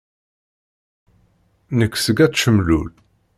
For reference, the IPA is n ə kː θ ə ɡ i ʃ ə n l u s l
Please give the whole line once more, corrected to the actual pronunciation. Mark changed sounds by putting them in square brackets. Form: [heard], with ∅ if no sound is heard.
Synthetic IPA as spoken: n ə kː [s] ə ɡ [æ] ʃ ə [m] l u [∅] l

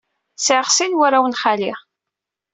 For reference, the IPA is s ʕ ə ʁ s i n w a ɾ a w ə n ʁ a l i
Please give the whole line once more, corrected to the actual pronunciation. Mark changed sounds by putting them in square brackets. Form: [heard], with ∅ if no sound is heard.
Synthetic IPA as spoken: s ʕ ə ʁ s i n w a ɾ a w ə n [χ] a l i

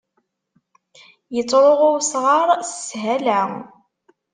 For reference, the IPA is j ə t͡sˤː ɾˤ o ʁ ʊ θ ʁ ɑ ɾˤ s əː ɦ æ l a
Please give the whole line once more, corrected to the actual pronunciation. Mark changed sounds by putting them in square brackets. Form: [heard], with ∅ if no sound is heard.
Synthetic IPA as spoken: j ə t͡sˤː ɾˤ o ʁ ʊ [s] ʁ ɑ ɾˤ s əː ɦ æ l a

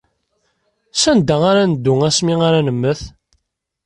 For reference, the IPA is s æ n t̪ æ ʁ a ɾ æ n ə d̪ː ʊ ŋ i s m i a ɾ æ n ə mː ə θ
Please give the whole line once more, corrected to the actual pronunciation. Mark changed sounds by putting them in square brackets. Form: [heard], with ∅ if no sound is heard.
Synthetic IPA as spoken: s æ n [d̪] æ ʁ a ɾ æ n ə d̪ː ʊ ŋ [æ] s m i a ɾ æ n ə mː ə θ

